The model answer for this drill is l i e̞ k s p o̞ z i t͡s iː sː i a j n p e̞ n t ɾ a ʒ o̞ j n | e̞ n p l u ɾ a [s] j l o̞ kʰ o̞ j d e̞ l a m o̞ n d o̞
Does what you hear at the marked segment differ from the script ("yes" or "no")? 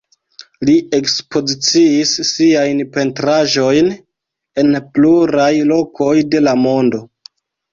yes